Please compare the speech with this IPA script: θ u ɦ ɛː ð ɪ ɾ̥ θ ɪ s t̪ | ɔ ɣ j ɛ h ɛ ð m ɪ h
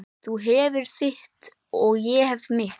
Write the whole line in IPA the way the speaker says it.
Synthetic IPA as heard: θ u ɦ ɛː v ɪ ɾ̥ θ ɪ h t̪ | ɔ ɣ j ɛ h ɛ v m ɪ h